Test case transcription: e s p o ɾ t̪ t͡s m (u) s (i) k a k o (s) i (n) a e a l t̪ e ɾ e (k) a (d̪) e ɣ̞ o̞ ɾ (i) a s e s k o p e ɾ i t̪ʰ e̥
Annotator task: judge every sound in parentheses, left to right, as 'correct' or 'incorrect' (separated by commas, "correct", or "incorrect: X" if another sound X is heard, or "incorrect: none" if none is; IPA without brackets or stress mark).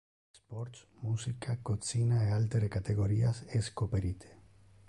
correct, correct, incorrect: t͡s, correct, correct, incorrect: t̪, correct